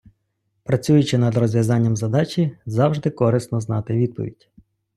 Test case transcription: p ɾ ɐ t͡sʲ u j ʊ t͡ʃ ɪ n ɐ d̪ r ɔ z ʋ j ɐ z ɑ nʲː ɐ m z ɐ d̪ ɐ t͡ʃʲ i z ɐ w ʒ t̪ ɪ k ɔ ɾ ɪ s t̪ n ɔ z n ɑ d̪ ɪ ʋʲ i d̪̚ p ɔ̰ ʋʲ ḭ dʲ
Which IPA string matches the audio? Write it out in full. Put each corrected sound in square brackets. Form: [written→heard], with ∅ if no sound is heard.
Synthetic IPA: p ɾ ɐ t͡sʲ u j ʊ t͡ʃ ɪ n ɐ d̪ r ɔ z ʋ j ɐ z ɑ nʲː ɐ m z ɐ d̪ [ɐ→ɑ] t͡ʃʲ i z [ɐ→ɑ] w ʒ [t̪→d̪] ɪ k ɔ ɾ ɪ s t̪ n ɔ z n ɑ [d̪→t̪] ɪ ʋʲ i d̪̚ p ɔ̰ ʋʲ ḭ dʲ

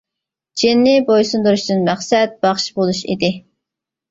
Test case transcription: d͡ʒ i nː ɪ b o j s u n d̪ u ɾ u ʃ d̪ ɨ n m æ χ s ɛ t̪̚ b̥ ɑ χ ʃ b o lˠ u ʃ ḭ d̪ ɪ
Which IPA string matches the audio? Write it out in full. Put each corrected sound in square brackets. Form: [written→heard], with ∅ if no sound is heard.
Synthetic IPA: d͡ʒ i nː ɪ b o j s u n d̪ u ɾ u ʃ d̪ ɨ n m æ χ s ɛ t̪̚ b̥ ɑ χ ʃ b o lˠ u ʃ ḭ d̪ ɪ

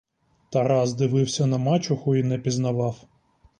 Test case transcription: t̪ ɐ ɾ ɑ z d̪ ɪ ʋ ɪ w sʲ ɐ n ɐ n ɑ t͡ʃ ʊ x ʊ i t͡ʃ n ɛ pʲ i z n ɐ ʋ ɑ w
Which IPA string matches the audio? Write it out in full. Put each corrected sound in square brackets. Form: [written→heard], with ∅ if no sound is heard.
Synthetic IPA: t̪ ɐ ɾ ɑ z d̪ ɪ ʋ ɪ w sʲ ɐ n ɐ [n→m] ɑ t͡ʃ ʊ x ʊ i [t͡ʃ→∅] n ɛ pʲ i z n ɐ ʋ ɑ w

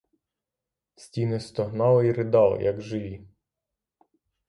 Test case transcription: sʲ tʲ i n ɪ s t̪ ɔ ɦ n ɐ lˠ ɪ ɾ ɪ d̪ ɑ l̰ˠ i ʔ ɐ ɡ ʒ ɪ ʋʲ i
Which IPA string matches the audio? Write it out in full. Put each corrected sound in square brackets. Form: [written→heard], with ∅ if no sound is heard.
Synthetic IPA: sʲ tʲ i n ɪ s t̪ ɔ ɦ n [ɐ→ɑ] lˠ [ɪ→i] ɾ ɪ d̪ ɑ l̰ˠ [i→j] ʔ ɐ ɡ ʒ ɪ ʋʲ i

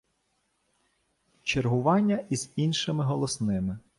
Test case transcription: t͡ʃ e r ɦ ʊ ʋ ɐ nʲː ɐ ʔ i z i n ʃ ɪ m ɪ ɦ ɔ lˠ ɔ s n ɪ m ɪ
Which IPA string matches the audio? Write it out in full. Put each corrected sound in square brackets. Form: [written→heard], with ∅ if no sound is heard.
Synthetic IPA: t͡ʃ e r ɦ ʊ ʋ [ɐ→ɑ] nʲː ɐ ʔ i z i n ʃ ɪ m ɪ ɦ ɔ lˠ ɔ s n ɪ m ɪ

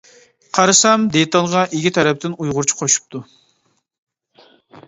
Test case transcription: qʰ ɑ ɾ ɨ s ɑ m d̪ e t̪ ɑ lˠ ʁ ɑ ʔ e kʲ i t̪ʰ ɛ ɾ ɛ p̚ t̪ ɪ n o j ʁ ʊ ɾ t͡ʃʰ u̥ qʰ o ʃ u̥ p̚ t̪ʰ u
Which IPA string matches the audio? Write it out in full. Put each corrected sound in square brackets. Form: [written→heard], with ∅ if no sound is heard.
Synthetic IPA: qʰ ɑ ɾ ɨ s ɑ m d̪ e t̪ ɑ lˠ ʁ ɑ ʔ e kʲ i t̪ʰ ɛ ɾ ɛ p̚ t̪ ɪ n [o→u] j ʁ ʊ ɾ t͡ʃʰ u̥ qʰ o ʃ u̥ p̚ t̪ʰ u

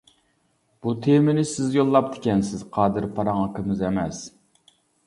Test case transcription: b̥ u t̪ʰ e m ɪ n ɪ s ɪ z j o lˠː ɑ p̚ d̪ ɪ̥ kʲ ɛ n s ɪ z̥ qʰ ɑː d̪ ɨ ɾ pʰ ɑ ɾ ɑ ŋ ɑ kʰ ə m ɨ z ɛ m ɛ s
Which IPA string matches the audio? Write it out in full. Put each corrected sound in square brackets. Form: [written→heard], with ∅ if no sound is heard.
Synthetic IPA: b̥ u t̪ʰ e m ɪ n ɪ s ɪ z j o lˠː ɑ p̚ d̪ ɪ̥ kʲ ɛ n s ɪ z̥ qʰ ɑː d̪ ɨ ɾ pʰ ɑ ɾ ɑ ŋ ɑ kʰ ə m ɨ z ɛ m ɛ s

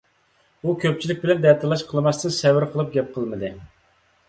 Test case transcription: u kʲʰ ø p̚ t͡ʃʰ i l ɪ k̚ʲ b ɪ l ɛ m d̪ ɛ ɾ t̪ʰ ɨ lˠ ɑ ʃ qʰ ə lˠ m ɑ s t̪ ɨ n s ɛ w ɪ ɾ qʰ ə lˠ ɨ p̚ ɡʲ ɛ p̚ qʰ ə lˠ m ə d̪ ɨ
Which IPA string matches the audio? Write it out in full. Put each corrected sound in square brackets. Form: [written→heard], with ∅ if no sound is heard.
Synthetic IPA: u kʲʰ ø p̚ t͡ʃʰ i l ɪ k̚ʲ b ɪ l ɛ [m→n] d̪ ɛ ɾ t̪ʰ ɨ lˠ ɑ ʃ qʰ ə lˠ m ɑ s t̪ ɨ n s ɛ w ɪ ɾ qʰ ə lˠ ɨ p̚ ɡʲ ɛ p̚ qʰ ə lˠ m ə d̪ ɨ

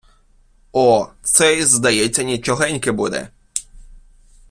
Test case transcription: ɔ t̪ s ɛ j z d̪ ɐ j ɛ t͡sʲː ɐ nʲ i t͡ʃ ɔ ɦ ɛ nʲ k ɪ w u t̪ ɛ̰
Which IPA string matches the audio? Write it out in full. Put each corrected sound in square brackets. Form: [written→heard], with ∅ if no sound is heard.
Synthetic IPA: ɔ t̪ s ɛ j z d̪ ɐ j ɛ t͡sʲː ɐ nʲ i t͡ʃ ɔ ɦ ɛ nʲ k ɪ [w→b] u [t̪→d̪] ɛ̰

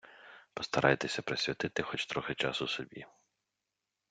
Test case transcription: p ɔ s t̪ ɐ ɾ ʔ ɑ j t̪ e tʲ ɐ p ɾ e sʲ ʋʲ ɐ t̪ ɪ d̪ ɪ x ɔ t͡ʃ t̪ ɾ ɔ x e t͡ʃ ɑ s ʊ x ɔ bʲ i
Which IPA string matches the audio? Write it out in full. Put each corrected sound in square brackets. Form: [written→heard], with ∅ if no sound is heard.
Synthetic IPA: p ɔ s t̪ ɐ ɾ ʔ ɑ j t̪ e [tʲ→sʲ] ɐ p ɾ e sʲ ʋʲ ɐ t̪ ɪ [d̪→t̪] ɪ x ɔ t͡ʃ t̪ ɾ ɔ x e t͡ʃ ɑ s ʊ [x→s] ɔ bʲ i

